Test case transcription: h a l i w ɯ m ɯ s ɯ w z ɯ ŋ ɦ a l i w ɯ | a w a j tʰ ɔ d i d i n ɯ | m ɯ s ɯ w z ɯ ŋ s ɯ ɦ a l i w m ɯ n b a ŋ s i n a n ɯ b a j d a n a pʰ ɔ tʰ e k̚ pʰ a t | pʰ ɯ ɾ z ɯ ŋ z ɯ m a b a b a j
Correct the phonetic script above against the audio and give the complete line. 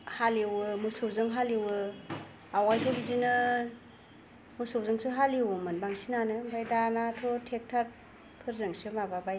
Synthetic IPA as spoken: h a l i w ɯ m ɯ s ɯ w z ɯ ŋ ɦ a l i w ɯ | a w a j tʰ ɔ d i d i n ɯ | m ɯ s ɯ w z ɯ ŋ s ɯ ɦ a l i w m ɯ n b a ŋ s i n a n ɯ b a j d a n a tʰ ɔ tʰ e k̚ tʰ a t | pʰ ɯ ɾ z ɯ ŋ s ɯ m a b a b a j

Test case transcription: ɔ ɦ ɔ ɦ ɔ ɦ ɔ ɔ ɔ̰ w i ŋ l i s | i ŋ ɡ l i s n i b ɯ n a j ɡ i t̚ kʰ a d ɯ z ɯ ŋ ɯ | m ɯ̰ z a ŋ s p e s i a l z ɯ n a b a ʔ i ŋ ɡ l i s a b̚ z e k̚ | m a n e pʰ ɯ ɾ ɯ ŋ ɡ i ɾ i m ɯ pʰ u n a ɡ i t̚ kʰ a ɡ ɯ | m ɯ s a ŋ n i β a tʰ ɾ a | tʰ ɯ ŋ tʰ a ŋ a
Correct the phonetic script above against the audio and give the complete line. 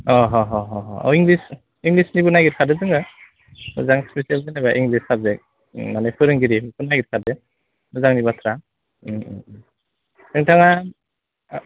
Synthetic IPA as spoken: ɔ ɦ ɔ ɦ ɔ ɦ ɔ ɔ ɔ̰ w i ŋ l i s | i ŋ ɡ l i s n i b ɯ n a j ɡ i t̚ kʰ a d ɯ z ɯ ŋ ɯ | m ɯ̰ z a ŋ s p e s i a l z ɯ n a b a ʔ i ŋ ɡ l i s a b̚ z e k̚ | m a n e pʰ ɯ ɾ ɯ ŋ ɡ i ɾ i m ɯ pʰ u n a ɡ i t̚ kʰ a d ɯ | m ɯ z a ŋ n i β a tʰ ɾ a | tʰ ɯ ŋ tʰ a ŋ a

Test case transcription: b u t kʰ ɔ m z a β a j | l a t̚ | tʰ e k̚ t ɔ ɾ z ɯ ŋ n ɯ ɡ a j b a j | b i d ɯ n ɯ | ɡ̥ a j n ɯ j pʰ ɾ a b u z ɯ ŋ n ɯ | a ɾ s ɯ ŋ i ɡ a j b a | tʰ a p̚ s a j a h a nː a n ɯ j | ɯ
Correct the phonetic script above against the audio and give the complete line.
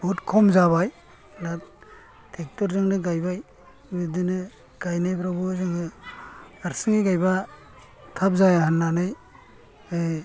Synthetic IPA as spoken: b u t kʰ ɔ m z a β a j | l a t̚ | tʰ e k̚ t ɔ ɾ z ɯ ŋ n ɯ ɡ a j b a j | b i d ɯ n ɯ | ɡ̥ a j n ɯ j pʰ ɾ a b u z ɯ ŋ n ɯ | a ɾ s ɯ ŋ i ɡ a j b a | tʰ a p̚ z a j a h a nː a n ɯ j | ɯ

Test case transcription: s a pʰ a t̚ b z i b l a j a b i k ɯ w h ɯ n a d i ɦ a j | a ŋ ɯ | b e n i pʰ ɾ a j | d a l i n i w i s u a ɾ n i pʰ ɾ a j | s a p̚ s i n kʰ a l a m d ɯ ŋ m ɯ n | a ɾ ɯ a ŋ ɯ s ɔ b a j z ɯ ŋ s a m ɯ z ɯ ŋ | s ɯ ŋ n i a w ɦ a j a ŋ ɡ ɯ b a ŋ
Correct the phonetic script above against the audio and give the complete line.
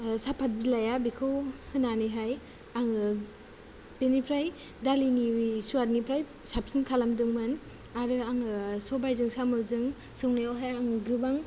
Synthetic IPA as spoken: s a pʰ a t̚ b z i l a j a b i kʰ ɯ w h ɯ n a n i ɦ a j | a ŋ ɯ | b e n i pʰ ɾ a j | d a l i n i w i s u a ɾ n i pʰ ɾ a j | s a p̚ s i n kʰ a l a m d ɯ ŋ m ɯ n | a ɾ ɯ a ŋ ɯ s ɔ b a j z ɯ ŋ s a m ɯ z ɯ ŋ | s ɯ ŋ n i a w ɦ a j a ŋ ɡ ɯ b a ŋ

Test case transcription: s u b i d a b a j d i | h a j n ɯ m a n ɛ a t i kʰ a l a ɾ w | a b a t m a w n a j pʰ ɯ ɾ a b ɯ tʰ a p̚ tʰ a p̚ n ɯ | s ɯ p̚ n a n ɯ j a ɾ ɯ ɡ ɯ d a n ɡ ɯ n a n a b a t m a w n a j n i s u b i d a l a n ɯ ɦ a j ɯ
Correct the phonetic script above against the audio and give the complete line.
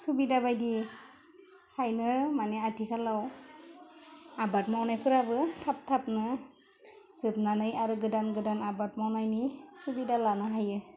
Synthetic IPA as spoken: s u b i d a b a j d i | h a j n ɯ m a n ɛ a t i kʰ a l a w | a b a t m a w n a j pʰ ɯ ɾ a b ɯ tʰ a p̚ tʰ a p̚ n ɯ | s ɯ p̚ n a n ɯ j a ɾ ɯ ɡ ɯ d a n ɡ ɯ d a n a b a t m a w n a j n i s u b i d a l a n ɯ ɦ a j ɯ

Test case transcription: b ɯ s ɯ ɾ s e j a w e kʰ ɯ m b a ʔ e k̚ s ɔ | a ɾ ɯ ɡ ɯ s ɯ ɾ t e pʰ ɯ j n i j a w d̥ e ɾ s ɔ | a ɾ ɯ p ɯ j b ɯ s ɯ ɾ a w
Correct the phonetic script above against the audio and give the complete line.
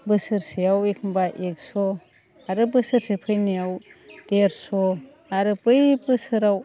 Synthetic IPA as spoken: b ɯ s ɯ ɾ s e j a w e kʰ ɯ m b a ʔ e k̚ s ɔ | a ɾ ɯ b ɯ s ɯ ɾ s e pʰ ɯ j n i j a w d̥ e ɾ s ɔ | a ɾ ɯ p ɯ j b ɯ s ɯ ɾ a w

